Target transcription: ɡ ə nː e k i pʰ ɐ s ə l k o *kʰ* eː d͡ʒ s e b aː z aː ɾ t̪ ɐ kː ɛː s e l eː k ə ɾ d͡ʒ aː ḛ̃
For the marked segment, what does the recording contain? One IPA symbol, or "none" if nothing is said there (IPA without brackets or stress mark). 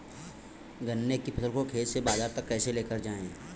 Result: kʰ